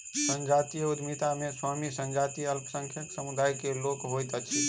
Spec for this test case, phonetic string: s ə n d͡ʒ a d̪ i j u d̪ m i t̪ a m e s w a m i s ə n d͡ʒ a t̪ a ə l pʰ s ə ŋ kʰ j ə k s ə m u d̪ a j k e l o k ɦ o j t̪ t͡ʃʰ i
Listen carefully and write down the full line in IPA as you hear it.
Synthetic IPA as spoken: s ə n d͡ʒ a t̪ i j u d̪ m i t̪ a m e s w a m i s ə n d͡ʒ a t̪ i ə l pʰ s ə ŋ kʰ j ə k s ə m u d̪ a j k e l o k ɦ o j t̪ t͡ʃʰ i